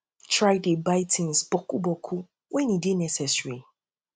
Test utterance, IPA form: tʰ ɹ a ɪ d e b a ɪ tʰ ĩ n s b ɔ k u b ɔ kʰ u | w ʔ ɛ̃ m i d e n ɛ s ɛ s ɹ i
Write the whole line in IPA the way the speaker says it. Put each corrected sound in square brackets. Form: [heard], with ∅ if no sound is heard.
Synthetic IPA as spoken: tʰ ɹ a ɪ d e b a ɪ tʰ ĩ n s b ɔ k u b ɔ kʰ u | w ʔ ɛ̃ [n] i d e n ɛ s ɛ s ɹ i